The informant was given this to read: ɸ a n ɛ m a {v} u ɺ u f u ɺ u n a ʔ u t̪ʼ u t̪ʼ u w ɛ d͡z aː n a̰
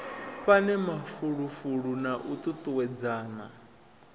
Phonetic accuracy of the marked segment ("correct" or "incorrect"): incorrect